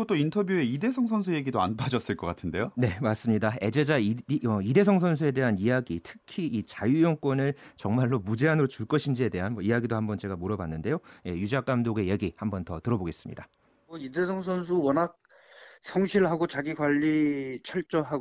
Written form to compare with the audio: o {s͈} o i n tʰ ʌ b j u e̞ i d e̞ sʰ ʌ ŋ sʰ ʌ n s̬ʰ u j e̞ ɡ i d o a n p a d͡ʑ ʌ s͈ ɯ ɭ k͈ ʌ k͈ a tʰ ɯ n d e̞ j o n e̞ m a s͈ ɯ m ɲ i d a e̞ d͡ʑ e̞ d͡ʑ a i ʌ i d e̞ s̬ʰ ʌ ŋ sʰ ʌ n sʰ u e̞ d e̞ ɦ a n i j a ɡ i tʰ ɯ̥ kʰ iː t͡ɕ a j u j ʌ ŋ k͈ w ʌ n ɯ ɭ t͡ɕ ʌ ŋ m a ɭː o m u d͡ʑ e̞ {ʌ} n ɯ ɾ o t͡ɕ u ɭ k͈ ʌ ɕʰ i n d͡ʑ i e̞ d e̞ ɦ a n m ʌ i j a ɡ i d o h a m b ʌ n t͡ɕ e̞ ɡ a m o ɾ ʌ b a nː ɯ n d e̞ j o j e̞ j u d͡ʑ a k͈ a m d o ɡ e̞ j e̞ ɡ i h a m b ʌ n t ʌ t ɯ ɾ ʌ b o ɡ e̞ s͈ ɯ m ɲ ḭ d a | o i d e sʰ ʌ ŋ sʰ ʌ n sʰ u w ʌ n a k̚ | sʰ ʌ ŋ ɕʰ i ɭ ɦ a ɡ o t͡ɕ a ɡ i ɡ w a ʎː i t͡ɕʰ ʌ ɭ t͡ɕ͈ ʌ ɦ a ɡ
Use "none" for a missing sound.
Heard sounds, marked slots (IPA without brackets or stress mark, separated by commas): t͈, a